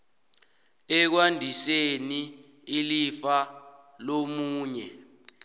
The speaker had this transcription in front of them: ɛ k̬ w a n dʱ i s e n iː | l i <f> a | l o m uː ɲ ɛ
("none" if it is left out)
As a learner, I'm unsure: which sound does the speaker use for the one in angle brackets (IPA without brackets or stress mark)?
f